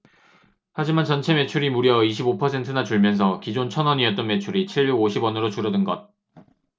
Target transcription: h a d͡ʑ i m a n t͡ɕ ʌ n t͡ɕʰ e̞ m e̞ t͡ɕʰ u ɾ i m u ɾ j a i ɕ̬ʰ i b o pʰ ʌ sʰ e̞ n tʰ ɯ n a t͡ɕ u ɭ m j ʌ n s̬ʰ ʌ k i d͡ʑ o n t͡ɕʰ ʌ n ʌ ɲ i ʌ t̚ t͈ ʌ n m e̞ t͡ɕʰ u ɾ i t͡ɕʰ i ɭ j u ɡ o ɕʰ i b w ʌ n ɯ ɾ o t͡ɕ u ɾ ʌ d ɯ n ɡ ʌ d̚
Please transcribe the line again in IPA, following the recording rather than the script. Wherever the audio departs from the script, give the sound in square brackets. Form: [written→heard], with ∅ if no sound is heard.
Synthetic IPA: h a d͡ʑ i m a n t͡ɕ ʌ n t͡ɕʰ e̞ m e̞ t͡ɕʰ u ɾ i m u ɾ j [a→ʌ] i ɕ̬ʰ i b o pʰ ʌ sʰ e̞ n tʰ ɯ n a t͡ɕ u ɭ m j ʌ n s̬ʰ ʌ k i d͡ʑ o n t͡ɕʰ ʌ n ʌ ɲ i ʌ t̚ t͈ ʌ n m e̞ t͡ɕʰ u ɾ i t͡ɕʰ i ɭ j u ɡ o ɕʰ i b w ʌ n ɯ ɾ o t͡ɕ u ɾ ʌ d ɯ n ɡ ʌ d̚